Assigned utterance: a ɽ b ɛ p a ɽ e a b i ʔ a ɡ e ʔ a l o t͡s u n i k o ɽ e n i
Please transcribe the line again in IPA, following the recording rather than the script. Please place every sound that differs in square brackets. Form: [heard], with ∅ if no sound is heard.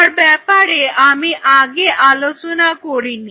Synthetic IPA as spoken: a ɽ b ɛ p a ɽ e a [m] i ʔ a ɡ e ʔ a l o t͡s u n [a] k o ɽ [i] n i